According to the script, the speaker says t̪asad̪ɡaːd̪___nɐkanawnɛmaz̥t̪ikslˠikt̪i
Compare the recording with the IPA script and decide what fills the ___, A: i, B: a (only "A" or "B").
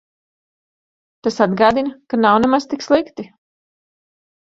A